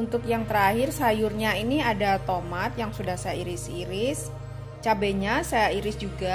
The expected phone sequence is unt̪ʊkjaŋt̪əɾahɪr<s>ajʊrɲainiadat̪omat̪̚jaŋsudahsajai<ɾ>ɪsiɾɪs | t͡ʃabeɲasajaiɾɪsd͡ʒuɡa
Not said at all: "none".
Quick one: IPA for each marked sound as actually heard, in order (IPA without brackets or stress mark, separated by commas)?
s, ɾ